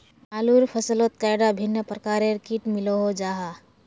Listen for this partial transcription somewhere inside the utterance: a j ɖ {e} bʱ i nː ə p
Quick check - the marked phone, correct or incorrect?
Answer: incorrect